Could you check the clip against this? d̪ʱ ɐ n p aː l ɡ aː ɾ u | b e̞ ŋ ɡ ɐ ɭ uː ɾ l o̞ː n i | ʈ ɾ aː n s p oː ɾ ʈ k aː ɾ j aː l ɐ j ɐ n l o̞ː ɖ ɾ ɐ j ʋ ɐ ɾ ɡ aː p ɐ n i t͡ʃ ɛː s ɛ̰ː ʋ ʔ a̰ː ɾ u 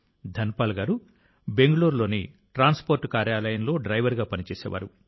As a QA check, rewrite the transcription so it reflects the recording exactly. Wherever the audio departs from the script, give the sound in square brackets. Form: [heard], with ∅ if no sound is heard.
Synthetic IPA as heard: d̪ʱ ɐ n p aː l ɡ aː ɾ u | b e̞ ŋ ɡ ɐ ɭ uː ɾ l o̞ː n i | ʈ ɾ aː n s p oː ɾ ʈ k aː ɾ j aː l ɐ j ɐ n l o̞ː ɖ ɾ ɐ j ʋ ɐ ɾ ɡ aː p ɐ n i t͡ʃ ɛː s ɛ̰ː ʋ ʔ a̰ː ɾ u